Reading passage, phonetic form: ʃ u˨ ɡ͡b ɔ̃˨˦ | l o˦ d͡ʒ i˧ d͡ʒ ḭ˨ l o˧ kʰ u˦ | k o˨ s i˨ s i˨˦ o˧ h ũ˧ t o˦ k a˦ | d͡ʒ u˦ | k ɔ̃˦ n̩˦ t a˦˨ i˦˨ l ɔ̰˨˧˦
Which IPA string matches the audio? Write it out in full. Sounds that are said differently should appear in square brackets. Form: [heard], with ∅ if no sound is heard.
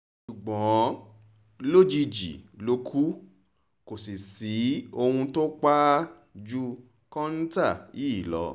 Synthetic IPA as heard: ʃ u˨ ɡ͡b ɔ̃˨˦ | l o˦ d͡ʒ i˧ d͡ʒ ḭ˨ l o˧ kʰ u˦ | k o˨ s i˨ s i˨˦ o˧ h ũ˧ t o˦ [k͡p] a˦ | d͡ʒ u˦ | k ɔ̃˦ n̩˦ t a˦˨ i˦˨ l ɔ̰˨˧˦